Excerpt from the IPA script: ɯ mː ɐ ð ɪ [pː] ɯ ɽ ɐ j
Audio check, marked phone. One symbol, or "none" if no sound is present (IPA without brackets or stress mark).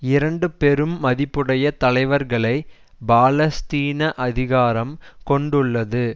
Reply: pː